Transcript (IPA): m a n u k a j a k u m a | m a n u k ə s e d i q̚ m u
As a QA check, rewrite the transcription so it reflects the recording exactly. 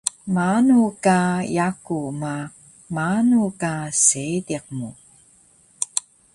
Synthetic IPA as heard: m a n u k a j a k u m a | m a n u k a s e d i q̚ m u

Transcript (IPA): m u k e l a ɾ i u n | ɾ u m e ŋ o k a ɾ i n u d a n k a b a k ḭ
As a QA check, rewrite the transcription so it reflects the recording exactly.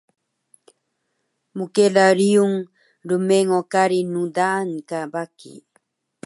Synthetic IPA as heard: m u k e l a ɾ i u ŋ | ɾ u m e ŋ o k a ɾ i n u d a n k a b a k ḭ

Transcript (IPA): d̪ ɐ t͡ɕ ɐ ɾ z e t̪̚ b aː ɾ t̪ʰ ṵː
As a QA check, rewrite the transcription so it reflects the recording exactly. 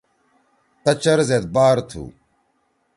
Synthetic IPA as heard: t̪ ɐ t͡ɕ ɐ ɾ z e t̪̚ b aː ɾ t̪ʰ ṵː

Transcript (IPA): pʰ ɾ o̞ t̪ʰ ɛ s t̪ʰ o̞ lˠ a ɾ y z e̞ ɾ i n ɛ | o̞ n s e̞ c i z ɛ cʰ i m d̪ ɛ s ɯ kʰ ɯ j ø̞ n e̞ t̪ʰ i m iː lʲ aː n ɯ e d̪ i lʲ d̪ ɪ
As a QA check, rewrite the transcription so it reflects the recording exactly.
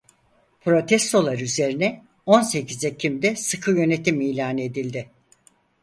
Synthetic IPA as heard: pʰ ɾ o̞ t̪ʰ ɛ s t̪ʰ o̞ lˠ a ɾ y z e̞ ɾ i n ɛ | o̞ n s e̞ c i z ɛ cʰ i m d̪ ɛ s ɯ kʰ ɯ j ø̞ n e̞ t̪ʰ i m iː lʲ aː n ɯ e d̪ i lʲ d̪ ɪ

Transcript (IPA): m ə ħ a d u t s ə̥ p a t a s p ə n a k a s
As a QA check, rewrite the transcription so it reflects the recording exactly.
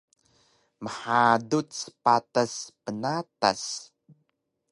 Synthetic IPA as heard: m ə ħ a d u t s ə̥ p a t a s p ə n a t a s

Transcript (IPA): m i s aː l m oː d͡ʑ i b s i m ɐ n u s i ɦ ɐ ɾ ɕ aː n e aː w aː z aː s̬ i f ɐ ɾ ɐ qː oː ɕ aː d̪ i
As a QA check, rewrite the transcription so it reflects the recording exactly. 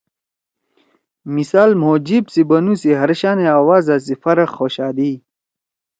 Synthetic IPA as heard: m i s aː l m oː d͡ʑ i b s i b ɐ n u s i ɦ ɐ ɾ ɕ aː n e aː w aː z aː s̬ i f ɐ ɾ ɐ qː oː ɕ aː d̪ i

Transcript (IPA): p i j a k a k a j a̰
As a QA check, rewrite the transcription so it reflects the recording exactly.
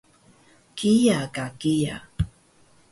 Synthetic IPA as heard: k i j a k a k i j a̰

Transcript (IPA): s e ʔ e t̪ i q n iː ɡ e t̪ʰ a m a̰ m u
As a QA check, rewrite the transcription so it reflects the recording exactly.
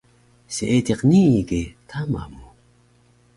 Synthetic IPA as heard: s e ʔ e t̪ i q n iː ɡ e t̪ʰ a m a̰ m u

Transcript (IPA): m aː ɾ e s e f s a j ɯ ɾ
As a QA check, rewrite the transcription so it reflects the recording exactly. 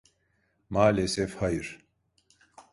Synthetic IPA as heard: m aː l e s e f h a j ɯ ɾ

